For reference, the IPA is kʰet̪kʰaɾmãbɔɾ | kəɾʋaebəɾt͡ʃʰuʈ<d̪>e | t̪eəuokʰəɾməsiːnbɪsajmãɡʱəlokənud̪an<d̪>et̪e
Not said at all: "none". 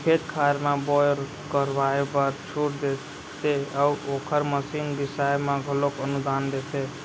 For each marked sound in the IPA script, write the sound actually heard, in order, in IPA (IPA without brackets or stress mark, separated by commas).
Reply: d̪, d̪